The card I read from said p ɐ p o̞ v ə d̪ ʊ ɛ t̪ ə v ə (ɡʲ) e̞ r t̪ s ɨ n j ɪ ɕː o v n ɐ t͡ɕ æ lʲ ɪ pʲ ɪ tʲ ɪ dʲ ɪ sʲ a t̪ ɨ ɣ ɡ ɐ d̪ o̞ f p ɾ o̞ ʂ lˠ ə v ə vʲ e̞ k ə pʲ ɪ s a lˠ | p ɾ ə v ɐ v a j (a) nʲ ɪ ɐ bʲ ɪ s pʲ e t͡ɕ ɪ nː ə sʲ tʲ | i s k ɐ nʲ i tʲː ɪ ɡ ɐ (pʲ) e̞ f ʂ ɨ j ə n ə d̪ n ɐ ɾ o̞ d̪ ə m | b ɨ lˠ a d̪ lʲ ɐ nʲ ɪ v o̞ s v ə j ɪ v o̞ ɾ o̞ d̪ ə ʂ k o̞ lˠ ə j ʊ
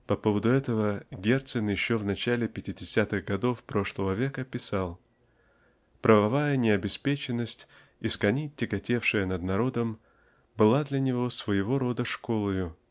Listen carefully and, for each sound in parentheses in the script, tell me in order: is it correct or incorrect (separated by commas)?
correct, incorrect, incorrect